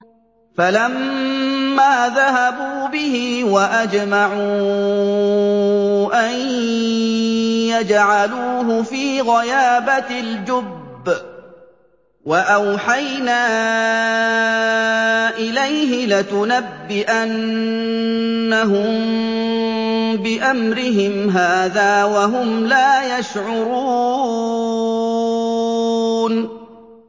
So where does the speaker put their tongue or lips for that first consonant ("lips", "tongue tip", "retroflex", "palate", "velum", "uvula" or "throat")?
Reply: lips